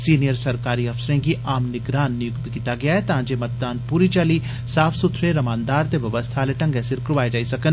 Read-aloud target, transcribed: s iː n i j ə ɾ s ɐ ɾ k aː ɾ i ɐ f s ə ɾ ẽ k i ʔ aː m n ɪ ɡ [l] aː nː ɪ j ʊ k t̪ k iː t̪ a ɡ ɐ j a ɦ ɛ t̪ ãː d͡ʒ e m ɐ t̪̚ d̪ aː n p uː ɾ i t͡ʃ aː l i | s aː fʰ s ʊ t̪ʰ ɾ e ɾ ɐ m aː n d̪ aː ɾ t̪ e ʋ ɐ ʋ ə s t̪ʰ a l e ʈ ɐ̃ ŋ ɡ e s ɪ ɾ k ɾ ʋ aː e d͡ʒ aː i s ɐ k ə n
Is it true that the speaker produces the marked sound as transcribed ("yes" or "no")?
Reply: no